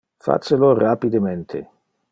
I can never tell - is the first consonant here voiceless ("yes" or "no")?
yes